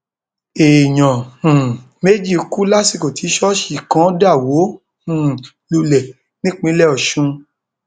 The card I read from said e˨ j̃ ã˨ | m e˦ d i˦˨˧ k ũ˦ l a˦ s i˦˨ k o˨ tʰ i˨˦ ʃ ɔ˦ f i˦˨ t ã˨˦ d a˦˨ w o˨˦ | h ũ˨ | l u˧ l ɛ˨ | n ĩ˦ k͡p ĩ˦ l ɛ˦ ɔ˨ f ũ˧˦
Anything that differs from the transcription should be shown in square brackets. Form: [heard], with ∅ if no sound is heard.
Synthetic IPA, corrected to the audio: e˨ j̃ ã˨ | m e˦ [d͡ʒ] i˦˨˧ k [u˦] l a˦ s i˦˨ k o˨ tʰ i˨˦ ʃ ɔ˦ [ʃ] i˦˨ [k] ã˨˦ d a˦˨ w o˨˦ | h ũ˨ | l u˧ l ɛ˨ | n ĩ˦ k͡p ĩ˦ l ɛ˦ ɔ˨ [ʃ] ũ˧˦

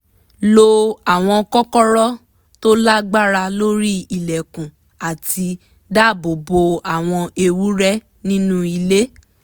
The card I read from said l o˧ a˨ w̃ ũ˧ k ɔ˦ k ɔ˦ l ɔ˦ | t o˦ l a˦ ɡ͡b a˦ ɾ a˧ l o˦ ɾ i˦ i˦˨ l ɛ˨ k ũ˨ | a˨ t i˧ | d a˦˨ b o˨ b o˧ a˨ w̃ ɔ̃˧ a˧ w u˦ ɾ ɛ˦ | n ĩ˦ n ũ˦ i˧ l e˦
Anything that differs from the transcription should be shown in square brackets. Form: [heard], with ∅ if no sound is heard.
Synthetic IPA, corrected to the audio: l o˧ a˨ w̃ [ɔ̃˧] k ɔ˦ k ɔ˦ [ɾ] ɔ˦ | t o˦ l a˦ ɡ͡b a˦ ɾ a˧ l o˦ ɾ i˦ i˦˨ l ɛ˨ k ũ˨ | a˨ t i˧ | d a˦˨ b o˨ b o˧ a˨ w̃ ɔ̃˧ [e˧] w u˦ ɾ ɛ˦ | n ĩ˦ n ũ˦ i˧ l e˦

